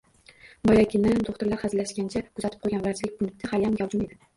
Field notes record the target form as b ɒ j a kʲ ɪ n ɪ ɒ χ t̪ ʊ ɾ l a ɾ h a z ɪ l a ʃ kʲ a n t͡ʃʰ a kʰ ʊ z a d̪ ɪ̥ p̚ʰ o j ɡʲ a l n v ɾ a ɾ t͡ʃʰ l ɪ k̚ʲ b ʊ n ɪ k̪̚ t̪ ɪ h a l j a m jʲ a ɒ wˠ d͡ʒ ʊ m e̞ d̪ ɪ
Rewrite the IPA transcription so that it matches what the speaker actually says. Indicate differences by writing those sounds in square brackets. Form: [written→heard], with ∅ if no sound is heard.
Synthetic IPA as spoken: b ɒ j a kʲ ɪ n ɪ [ɒ→o] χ t̪ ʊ ɾ l a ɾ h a z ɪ l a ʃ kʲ a n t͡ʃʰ a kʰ ʊ z a [d̪→t̪] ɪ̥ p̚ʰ o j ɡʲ a [l→∅] n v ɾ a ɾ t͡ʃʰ l ɪ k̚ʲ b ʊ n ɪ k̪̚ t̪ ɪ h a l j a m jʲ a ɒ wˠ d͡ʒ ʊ m e̞ d̪ ɪ